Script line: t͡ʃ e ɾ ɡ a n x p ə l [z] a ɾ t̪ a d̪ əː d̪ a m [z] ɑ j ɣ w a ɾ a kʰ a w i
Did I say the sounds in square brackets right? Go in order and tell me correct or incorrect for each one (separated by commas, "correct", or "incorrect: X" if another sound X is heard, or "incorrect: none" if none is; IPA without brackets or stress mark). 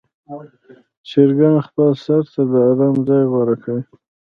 incorrect: s, correct